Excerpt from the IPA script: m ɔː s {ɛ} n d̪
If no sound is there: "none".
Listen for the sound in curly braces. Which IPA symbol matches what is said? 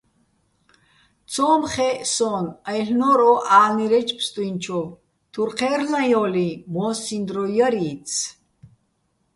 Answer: i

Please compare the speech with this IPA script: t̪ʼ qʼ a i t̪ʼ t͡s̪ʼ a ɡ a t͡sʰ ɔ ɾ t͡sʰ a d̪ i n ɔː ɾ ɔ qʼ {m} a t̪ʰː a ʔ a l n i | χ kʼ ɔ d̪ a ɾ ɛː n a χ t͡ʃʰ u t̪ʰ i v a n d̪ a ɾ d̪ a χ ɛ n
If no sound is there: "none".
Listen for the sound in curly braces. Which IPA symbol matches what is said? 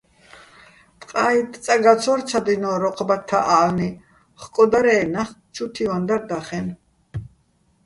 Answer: b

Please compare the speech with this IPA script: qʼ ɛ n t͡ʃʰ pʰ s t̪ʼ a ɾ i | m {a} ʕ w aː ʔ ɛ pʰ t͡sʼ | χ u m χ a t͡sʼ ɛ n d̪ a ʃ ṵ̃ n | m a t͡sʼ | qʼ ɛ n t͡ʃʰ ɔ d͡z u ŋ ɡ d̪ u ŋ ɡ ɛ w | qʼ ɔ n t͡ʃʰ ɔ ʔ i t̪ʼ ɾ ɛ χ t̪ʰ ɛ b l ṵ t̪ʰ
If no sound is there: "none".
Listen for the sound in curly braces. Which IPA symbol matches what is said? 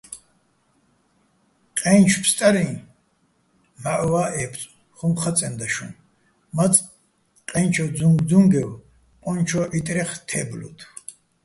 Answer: a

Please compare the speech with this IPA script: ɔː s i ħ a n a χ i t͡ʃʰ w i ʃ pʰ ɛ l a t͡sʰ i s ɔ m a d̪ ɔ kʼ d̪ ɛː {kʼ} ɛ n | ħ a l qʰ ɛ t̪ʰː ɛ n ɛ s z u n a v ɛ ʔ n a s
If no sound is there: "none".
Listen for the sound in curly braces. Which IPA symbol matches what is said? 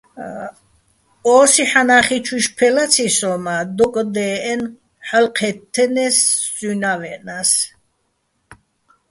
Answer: none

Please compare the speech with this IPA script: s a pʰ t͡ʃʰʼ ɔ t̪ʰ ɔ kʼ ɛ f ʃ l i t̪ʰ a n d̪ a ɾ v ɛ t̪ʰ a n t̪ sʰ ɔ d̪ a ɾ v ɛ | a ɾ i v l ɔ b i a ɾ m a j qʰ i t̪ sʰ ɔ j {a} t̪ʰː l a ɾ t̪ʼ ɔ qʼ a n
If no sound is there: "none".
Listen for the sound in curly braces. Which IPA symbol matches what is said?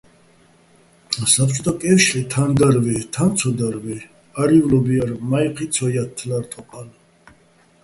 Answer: a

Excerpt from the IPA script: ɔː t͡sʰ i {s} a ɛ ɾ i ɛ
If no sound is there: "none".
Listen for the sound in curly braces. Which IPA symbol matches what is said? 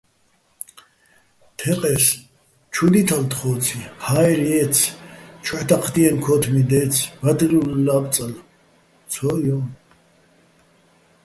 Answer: h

